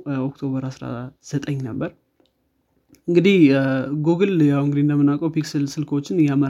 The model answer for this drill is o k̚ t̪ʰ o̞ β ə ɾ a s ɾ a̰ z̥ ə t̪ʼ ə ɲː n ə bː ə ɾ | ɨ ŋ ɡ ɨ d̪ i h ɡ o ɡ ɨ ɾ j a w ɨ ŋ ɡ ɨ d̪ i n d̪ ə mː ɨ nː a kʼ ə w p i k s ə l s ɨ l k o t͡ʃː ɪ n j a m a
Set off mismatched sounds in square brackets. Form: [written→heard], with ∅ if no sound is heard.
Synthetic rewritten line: o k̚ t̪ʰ o̞ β ə ɾ a s ɾ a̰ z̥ ə t̪ʼ ə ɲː n ə bː ə ɾ | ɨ ŋ ɡ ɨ d̪ i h ɡ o ɡ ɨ [ɾ→l] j a w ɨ ŋ ɡ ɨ d̪ i n d̪ ə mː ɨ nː a kʼ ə w p i k s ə l s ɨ l k o t͡ʃː ɪ n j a m [a→ə]